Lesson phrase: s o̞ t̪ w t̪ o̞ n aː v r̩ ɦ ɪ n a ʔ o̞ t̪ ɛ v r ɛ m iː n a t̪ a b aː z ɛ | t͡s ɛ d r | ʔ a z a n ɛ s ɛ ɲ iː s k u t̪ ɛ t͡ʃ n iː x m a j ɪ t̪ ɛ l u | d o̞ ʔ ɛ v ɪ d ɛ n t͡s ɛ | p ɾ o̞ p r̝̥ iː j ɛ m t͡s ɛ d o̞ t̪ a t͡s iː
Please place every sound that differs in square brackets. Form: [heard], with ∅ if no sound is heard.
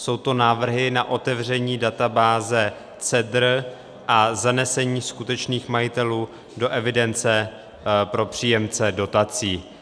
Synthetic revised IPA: s o̞ [∅] w t̪ o̞ n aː v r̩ ɦ ɪ n a ʔ o̞ t̪ ɛ v r ɛ [ɲ] iː [d] a t̪ a b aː z ɛ | t͡s ɛ d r | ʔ a z a n ɛ s ɛ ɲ iː s k u t̪ ɛ t͡ʃ n iː x m a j ɪ t̪ ɛ l [uː] | d o̞ ʔ ɛ v ɪ d ɛ n t͡s ɛ | p ɾ o̞ p r̝̥ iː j ɛ m t͡s ɛ d o̞ t̪ a t͡s iː